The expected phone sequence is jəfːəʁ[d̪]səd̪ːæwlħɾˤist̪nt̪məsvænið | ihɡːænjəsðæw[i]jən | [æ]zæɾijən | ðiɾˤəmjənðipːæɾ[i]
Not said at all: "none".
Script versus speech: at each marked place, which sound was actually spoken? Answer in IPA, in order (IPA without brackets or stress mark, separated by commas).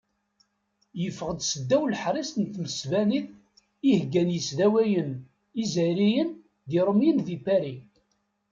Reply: d̪, æ, i, i